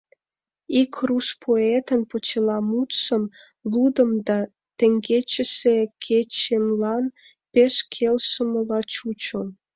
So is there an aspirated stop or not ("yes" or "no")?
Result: yes